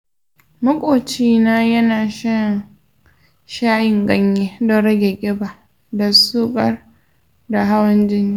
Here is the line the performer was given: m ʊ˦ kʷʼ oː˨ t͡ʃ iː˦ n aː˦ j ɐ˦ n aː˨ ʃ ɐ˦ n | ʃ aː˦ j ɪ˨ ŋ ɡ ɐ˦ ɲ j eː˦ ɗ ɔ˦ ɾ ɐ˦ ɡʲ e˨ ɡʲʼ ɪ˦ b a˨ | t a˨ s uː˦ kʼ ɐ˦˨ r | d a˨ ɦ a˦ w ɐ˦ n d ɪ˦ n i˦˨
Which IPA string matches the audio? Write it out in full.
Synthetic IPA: m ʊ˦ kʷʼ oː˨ t͡ʃ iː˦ n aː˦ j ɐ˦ n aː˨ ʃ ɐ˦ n | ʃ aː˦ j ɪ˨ ŋ ɡ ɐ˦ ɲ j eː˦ d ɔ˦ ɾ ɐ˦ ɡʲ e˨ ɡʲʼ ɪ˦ b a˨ | d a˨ s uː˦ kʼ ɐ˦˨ r | d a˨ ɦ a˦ w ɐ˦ n d͡ʒ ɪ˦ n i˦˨